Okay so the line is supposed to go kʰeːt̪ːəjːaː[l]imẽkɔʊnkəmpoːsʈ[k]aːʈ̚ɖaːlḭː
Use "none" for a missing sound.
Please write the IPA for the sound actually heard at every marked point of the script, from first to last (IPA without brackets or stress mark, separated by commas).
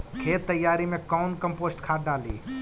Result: ɾ, kʰ